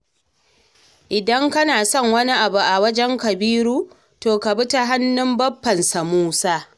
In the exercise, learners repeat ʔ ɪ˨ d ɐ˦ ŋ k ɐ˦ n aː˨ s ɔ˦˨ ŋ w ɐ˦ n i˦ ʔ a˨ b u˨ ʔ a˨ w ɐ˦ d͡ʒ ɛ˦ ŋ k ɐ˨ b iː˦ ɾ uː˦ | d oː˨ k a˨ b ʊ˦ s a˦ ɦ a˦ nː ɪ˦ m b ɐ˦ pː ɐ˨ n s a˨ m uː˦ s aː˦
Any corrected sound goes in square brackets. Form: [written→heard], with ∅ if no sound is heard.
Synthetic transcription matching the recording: ʔ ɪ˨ d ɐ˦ ŋ k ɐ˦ n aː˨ s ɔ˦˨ ŋ w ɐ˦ n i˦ ʔ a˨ b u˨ ʔ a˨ w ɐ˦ d͡ʒ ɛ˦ ŋ k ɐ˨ b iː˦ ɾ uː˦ | [d→t] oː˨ k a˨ b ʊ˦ [s→t] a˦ ɦ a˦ nː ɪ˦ m b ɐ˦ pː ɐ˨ n s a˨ m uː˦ s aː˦